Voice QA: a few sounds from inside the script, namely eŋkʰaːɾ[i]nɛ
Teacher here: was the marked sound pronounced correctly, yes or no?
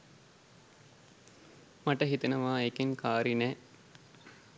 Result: yes